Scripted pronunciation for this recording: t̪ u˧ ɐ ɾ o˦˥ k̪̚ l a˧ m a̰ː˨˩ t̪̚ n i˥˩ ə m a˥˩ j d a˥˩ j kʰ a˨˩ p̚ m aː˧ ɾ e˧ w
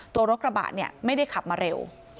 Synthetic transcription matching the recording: t̪ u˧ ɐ ɾ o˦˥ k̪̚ ɾ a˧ b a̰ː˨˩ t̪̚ n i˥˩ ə m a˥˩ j d a˥˩ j kʰ a˨˩ p̚ m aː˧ ɾ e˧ w